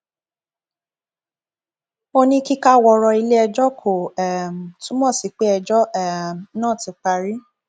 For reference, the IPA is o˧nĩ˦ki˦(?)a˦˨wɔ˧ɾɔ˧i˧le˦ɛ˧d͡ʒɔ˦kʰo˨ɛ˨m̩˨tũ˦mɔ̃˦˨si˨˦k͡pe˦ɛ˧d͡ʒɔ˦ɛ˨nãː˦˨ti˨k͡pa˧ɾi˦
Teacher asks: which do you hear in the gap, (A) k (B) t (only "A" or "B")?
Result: A